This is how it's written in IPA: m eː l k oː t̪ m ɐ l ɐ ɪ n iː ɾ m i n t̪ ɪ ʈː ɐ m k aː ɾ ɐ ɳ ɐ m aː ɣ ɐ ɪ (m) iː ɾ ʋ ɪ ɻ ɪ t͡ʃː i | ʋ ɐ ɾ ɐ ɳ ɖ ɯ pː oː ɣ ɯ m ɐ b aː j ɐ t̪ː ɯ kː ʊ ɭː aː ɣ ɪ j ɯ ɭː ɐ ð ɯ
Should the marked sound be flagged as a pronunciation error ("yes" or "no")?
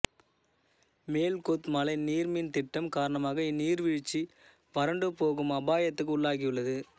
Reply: yes